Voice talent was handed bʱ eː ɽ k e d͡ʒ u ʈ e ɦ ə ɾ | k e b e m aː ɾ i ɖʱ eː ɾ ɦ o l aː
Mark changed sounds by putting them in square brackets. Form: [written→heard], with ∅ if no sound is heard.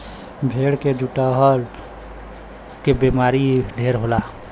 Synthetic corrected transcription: bʱ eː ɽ k e d͡ʒ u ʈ [e→a] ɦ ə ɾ | k e b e m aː ɾ i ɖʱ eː ɾ ɦ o l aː